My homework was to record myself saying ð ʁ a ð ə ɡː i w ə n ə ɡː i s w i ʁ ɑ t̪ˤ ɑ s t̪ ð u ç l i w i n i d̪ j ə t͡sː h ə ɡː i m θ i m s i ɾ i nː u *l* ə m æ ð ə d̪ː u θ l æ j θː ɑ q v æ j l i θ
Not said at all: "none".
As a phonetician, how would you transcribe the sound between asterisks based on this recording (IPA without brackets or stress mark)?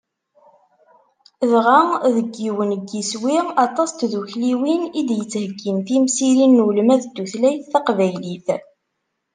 l